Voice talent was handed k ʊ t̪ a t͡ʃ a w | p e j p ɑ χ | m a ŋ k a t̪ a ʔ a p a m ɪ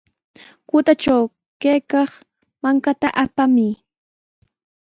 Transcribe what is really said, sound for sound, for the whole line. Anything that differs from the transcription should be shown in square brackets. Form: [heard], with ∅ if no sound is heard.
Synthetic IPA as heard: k ʊ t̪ a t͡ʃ a w | [k] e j [k] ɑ χ | m a ŋ k a t̪ a ʔ a p a m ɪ